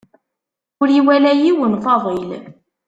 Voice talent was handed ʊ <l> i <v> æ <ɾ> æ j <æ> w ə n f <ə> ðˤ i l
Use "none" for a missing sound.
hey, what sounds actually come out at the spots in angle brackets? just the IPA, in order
ɾ, w, l, i, ɑ

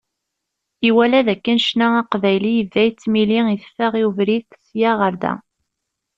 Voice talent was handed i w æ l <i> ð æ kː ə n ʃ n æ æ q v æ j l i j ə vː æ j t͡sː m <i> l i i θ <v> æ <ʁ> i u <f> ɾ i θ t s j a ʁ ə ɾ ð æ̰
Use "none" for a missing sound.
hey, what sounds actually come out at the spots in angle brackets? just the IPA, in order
æ, i, f, ʁ, v

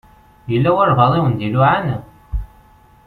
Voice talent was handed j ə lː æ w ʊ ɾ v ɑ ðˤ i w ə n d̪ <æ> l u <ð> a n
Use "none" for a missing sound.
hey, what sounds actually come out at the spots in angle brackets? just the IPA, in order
i, ʕ

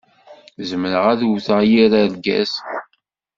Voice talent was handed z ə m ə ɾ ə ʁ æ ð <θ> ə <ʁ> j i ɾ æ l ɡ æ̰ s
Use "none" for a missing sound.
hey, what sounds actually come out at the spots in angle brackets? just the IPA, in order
θ, ʁ

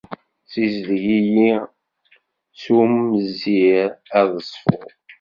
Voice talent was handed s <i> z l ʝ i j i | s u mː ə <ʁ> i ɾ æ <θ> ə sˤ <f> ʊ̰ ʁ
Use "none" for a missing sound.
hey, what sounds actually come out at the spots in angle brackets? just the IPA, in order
i, z, ð, f

